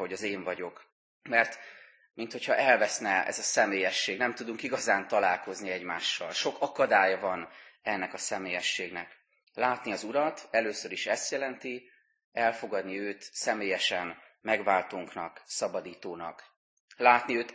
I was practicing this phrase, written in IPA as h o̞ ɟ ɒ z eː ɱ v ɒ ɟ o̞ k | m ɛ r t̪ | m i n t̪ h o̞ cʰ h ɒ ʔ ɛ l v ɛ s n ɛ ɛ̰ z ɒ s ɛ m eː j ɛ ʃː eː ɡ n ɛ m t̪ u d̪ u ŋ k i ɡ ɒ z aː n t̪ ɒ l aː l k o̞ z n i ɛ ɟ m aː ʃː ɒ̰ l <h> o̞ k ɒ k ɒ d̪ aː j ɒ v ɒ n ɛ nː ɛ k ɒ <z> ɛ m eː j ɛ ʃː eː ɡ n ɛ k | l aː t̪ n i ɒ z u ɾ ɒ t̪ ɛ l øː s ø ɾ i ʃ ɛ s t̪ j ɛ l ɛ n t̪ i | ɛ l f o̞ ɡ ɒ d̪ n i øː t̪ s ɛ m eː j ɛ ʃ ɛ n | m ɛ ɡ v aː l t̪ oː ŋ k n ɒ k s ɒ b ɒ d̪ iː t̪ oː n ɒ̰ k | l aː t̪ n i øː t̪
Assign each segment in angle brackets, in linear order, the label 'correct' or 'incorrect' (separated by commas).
incorrect, incorrect